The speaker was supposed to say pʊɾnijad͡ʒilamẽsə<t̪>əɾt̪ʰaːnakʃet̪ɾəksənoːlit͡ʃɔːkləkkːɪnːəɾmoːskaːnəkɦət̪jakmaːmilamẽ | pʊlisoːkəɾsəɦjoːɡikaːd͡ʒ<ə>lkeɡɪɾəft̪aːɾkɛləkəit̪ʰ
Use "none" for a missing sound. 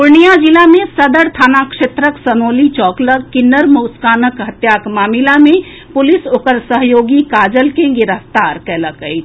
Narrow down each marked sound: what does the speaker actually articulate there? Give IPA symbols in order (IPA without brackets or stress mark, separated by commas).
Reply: d̪, ə